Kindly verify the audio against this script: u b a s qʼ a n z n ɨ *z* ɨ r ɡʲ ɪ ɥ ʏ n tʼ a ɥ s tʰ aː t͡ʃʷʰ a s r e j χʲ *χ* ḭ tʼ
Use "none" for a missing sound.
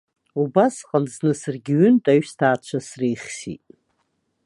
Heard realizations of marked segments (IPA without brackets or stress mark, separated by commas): s, s